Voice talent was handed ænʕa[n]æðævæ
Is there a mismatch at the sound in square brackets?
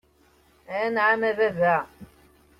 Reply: yes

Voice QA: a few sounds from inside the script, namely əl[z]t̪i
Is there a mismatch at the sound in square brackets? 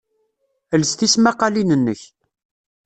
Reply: yes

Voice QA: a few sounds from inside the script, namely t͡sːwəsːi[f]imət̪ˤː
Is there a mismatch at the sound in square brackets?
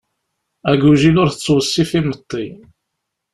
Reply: no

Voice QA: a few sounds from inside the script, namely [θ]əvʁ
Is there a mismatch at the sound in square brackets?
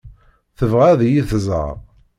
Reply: no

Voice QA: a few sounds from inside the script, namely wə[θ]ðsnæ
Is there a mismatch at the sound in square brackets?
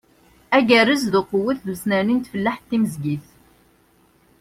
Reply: no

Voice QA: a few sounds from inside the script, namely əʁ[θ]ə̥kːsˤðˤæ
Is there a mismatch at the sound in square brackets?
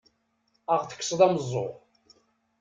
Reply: no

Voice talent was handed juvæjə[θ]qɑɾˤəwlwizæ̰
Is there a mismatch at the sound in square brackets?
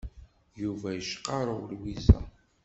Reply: yes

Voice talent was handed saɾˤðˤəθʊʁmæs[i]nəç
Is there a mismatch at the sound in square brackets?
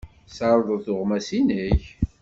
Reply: no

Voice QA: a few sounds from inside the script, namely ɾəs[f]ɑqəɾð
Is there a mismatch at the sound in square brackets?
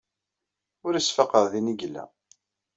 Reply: no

